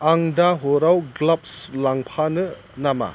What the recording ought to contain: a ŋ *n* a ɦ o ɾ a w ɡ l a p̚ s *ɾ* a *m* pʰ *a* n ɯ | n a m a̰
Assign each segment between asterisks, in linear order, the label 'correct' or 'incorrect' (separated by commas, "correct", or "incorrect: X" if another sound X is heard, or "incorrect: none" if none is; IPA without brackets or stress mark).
incorrect: d, incorrect: l, incorrect: ŋ, correct